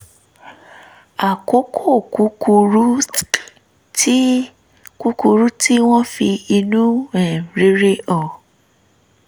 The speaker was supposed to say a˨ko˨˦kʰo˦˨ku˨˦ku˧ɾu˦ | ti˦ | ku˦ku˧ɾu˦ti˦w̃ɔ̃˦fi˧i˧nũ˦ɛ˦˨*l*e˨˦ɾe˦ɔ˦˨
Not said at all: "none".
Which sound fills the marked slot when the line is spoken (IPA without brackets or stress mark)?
ɾ